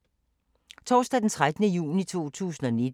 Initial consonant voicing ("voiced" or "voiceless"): voiceless